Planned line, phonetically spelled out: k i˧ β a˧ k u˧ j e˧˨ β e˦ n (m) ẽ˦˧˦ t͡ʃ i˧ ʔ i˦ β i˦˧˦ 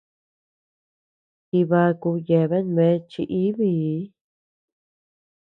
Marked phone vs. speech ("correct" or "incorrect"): correct